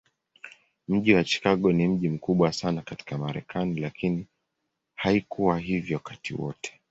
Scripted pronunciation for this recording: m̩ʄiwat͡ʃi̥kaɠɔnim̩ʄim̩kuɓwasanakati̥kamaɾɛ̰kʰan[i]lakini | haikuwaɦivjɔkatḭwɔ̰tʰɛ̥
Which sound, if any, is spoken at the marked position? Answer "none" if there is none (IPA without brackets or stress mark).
i